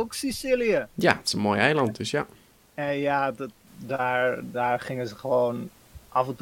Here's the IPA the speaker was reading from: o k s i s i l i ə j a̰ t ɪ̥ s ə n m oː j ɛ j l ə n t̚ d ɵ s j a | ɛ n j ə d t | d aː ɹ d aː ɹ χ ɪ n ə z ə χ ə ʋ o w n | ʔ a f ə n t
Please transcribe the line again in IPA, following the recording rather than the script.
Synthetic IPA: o k s i s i l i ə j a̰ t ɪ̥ s ə n m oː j ɛ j l ɑ n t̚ d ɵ s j a | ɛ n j a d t | d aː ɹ d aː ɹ χ ɪ ŋ ə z ə χ ə ʋ o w n | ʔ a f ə n t